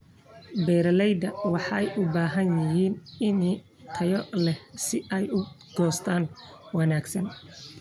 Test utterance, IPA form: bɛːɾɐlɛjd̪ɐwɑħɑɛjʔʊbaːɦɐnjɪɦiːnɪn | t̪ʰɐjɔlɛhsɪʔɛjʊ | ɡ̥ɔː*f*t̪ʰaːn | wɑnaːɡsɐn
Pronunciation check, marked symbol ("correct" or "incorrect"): incorrect